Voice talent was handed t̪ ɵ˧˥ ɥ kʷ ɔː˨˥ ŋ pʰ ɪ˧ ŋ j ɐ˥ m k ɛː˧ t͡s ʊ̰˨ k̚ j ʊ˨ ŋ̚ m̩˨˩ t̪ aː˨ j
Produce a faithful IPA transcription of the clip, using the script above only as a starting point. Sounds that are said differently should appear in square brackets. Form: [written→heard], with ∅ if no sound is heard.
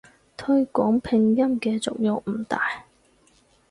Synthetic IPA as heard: [t̪→t̪ʰ] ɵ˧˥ ɥ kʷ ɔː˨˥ ŋ pʰ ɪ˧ ŋ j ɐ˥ m k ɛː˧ t͡s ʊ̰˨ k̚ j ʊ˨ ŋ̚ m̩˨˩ t̪ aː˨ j